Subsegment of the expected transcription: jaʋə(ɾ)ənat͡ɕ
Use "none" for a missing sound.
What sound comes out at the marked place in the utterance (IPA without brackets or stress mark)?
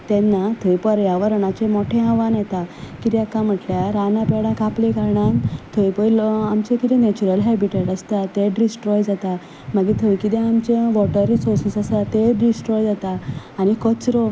ɾ